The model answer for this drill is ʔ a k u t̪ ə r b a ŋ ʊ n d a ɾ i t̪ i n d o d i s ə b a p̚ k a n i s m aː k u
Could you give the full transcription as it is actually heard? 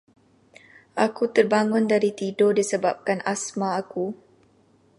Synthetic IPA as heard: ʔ a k u t̪ ə r b a ŋ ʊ n d a ɾ i t̪ i d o d i s ə b a p̚ k a n a s m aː k u